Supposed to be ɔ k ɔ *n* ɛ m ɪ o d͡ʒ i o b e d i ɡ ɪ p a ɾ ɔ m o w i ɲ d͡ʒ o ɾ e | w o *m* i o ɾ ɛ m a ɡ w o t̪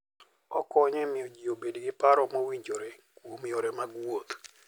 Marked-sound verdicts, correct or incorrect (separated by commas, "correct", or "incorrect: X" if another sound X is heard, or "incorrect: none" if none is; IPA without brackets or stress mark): incorrect: ɲ, correct